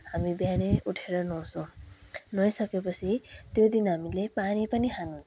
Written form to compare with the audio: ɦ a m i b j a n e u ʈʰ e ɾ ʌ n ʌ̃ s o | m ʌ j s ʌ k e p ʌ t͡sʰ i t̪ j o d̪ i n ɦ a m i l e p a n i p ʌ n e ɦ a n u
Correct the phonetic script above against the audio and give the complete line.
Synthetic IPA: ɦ a m i b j a n e u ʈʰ e ɾ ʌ n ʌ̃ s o | n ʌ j s ʌ k e p ʌ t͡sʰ i t̪ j o d̪ i n ɦ a m i l e p a n i p ʌ n i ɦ a n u

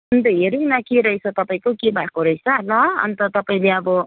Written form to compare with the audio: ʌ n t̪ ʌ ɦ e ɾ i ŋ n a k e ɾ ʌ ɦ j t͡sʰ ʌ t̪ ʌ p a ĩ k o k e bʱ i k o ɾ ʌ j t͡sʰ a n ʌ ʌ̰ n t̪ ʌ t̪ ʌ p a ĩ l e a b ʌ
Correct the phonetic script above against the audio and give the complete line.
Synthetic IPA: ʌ n t̪ ʌ ɦ e ɾ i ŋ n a k e ɾ ʌ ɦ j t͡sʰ ʌ t̪ ʌ p a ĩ k o k e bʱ a k o ɾ ʌ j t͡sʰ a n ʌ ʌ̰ n t̪ ʌ t̪ ʌ p a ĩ l e ʌ b ʌ

